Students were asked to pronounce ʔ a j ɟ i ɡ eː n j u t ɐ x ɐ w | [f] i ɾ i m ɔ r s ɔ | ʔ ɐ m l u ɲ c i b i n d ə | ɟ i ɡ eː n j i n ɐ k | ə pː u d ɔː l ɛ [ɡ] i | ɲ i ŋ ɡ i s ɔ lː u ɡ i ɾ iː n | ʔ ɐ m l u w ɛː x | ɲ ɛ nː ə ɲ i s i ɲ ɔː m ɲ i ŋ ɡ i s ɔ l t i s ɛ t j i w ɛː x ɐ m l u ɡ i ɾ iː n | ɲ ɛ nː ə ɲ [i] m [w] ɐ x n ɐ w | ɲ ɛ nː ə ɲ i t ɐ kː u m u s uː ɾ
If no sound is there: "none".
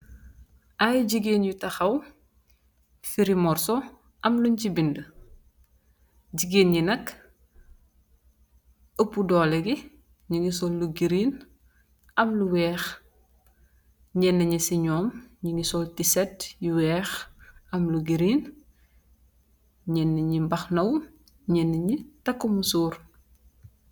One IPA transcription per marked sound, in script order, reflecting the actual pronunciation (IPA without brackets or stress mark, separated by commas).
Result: f, ɡ, i, b